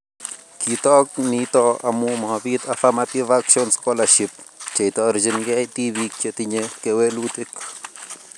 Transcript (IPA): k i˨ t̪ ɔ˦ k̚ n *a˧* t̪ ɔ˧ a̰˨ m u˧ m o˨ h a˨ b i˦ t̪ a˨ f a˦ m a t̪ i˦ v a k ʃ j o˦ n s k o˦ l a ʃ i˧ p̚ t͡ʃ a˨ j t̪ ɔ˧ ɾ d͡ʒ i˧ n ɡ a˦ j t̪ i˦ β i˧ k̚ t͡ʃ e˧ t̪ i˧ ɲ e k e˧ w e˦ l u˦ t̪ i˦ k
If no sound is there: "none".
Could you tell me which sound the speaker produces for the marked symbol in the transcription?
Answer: i˧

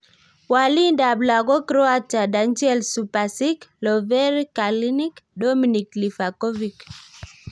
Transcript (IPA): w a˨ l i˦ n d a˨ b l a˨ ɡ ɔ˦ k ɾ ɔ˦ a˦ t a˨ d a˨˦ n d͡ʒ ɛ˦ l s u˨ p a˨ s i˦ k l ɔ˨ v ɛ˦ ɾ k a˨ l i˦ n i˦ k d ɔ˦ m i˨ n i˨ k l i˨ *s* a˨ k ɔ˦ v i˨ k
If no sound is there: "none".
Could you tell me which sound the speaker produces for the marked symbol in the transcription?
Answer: f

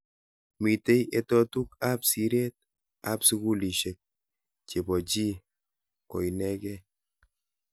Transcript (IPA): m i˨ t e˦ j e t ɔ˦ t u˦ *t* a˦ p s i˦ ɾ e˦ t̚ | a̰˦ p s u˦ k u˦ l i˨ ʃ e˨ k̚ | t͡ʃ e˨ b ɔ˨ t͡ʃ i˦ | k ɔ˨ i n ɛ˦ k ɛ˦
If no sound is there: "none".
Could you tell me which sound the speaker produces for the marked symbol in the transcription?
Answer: k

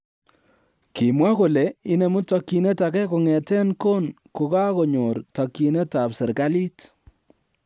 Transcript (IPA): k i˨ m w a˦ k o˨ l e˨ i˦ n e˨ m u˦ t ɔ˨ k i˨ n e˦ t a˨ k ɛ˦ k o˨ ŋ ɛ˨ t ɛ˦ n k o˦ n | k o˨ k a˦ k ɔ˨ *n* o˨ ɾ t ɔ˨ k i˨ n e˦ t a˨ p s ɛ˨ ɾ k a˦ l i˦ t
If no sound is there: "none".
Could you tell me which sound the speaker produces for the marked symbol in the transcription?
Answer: ɲ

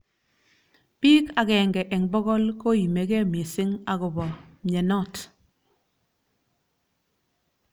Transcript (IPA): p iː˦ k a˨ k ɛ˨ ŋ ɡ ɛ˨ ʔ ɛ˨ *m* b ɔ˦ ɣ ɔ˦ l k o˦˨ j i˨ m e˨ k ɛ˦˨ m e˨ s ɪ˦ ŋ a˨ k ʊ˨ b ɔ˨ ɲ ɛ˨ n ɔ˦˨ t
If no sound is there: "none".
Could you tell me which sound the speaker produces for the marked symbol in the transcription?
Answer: ŋ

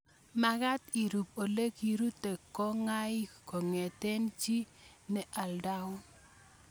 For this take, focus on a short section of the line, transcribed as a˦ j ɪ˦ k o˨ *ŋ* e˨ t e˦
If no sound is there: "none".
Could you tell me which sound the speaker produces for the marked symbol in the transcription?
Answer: ŋ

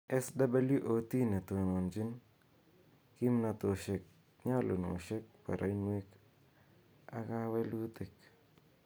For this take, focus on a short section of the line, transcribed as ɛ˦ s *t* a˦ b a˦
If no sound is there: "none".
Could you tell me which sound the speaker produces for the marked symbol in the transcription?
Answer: d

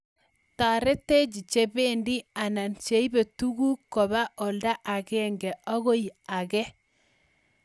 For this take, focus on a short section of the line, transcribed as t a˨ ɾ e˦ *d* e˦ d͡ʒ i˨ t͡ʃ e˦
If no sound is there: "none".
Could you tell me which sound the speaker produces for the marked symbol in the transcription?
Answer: t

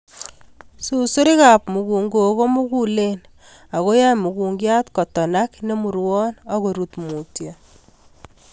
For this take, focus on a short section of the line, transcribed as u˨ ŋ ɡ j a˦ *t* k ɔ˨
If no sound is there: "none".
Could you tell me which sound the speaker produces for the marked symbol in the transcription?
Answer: t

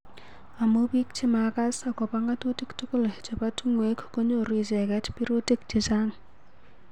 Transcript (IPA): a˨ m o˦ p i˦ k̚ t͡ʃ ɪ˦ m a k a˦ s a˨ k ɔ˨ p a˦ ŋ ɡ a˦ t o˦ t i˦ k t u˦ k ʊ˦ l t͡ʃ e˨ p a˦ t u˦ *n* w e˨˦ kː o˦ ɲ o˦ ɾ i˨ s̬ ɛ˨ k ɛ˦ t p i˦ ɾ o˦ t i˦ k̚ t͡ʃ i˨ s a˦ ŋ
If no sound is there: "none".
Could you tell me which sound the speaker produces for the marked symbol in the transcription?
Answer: ŋ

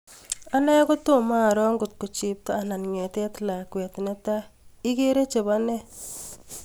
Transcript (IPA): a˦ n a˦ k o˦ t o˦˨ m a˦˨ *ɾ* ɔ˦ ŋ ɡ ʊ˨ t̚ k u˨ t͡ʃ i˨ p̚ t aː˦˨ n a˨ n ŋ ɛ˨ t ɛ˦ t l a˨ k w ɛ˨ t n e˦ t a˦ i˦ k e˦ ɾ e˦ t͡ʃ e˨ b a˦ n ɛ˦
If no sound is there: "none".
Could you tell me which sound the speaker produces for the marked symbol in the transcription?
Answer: ɾ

